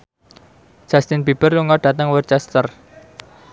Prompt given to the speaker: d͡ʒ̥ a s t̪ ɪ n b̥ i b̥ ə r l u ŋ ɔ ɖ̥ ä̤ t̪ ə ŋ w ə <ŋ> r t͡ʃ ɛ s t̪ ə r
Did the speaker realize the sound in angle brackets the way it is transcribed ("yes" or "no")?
no